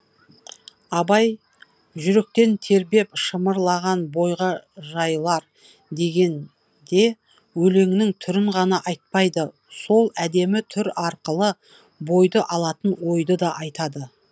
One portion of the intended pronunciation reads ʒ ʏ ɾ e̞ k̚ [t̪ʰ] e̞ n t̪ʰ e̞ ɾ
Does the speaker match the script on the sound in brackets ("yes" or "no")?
no